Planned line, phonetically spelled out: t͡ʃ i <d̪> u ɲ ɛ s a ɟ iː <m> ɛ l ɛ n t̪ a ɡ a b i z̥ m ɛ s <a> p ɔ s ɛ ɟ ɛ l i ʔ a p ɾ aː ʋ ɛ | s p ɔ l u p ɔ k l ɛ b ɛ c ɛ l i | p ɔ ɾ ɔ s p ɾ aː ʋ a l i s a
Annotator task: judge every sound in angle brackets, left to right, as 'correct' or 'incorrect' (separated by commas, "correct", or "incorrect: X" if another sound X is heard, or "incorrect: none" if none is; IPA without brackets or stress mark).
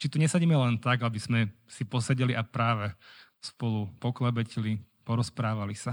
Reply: incorrect: t̪, correct, incorrect: i